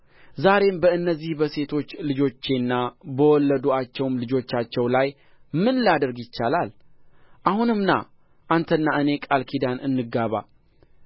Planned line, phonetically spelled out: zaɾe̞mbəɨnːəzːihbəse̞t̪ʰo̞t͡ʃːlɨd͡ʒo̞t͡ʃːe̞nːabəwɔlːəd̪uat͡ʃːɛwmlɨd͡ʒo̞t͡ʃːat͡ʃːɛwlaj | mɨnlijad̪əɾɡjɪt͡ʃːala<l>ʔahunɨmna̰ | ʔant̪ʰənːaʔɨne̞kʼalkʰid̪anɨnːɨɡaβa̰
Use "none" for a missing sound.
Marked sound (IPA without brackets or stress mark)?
l